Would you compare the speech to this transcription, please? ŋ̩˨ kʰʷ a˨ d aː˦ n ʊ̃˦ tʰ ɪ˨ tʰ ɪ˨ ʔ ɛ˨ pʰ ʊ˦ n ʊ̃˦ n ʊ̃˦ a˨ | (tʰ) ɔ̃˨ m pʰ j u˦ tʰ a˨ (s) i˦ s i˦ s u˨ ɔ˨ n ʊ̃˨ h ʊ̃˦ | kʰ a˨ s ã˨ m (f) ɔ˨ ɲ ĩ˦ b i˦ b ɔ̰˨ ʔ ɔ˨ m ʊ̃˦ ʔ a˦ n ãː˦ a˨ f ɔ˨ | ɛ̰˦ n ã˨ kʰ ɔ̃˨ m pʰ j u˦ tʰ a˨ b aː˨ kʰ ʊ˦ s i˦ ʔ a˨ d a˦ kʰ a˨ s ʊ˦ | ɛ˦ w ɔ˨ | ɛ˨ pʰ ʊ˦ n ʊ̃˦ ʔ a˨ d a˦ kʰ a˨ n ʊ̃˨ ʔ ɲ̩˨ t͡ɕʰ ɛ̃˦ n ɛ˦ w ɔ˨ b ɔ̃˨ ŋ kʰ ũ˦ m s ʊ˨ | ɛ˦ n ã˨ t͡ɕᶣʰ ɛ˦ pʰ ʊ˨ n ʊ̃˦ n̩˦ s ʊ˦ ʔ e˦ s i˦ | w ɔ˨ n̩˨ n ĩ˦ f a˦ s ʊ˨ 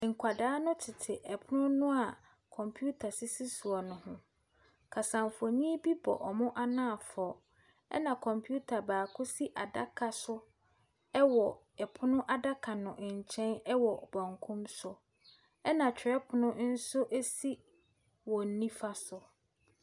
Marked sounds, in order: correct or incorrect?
incorrect, correct, correct

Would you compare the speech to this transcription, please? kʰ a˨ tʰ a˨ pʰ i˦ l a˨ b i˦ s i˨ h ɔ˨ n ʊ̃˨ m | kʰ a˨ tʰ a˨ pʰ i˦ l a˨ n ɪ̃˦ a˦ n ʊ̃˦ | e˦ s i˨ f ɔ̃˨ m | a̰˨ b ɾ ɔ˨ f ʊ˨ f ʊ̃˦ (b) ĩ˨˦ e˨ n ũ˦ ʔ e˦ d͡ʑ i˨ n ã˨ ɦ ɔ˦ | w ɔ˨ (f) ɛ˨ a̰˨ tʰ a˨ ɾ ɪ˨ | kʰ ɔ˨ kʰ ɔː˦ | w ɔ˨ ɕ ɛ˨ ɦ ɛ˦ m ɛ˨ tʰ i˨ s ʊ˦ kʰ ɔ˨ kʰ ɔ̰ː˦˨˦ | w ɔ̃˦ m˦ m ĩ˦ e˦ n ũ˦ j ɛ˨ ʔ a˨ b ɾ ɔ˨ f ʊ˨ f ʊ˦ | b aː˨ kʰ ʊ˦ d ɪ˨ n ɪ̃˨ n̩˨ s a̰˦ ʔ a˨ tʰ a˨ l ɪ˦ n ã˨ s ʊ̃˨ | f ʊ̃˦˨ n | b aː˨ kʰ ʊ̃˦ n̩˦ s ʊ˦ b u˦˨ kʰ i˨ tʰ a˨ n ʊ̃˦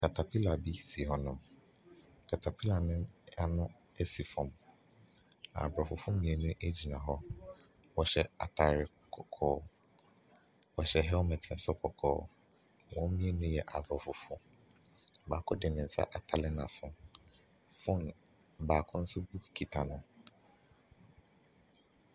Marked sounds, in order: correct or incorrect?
incorrect, incorrect

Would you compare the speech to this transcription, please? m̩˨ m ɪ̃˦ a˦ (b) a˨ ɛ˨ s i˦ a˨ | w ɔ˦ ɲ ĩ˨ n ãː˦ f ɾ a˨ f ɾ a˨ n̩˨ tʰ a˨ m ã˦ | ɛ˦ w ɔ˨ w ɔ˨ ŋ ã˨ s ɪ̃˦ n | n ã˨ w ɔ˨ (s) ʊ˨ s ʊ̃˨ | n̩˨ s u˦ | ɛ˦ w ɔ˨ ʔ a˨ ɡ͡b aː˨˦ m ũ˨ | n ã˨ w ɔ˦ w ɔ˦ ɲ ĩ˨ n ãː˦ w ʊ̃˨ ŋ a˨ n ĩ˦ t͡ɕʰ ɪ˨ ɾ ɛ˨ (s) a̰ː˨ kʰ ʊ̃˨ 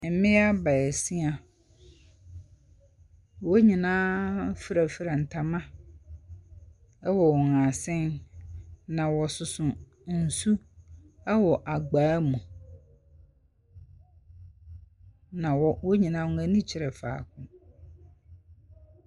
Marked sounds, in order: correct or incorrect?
correct, correct, incorrect

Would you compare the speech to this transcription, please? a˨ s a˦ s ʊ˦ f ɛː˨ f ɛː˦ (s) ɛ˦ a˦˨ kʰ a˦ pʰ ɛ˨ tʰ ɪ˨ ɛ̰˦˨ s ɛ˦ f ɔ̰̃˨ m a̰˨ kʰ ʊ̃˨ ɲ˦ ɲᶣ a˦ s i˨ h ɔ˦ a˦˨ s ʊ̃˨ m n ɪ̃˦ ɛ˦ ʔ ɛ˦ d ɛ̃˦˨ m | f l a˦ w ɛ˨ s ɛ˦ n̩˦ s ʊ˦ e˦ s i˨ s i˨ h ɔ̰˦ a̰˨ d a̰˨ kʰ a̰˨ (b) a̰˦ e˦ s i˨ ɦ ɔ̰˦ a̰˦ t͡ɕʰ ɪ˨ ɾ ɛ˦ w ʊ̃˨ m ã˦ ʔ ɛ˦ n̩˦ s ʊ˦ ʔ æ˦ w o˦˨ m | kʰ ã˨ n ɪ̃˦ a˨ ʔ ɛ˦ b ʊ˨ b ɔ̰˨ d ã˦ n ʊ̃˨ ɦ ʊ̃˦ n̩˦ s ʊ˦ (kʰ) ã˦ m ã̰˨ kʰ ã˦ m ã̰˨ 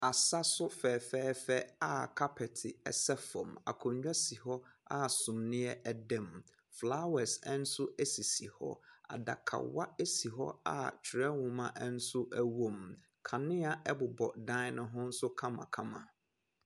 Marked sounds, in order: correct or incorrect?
incorrect, incorrect, correct

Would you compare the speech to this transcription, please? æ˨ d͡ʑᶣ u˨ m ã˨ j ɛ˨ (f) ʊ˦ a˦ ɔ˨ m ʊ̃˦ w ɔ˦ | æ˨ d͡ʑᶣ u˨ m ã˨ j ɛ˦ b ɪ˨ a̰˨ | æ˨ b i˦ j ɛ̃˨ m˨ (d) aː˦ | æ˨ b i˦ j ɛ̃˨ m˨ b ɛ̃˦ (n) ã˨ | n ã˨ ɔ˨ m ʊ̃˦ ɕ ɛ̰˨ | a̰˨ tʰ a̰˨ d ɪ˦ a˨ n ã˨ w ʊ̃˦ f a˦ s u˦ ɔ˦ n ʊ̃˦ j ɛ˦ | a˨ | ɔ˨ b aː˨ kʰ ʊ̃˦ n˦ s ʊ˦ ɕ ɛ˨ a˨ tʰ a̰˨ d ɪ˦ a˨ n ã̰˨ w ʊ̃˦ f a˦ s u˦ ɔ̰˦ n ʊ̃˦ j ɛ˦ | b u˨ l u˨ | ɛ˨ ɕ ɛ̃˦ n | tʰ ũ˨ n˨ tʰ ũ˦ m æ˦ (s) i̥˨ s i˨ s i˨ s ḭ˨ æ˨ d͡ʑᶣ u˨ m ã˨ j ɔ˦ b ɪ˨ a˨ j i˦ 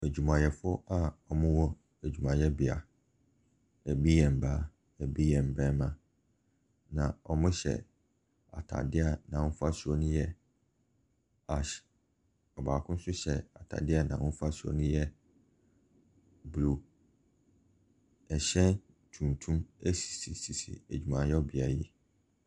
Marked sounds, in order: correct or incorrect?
correct, incorrect, incorrect, correct

